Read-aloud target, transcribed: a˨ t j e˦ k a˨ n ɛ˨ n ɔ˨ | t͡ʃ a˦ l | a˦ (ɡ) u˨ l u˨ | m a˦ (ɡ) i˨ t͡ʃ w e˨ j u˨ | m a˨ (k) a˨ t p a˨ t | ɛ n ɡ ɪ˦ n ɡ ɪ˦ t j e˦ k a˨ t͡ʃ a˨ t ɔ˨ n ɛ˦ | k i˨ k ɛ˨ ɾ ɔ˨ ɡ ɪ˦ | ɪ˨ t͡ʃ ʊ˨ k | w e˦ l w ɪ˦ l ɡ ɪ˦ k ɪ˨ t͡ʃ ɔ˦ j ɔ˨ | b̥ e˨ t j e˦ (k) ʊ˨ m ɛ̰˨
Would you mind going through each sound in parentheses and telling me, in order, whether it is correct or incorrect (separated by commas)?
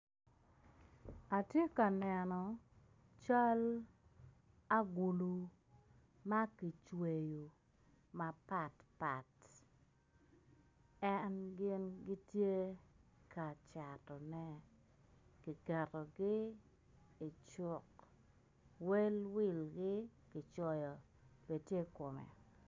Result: correct, incorrect, incorrect, correct